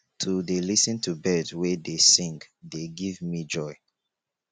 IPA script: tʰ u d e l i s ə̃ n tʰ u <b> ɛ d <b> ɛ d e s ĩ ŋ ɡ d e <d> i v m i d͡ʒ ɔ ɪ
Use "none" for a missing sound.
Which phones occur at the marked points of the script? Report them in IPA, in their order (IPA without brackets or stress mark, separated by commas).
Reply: b, w, ɡ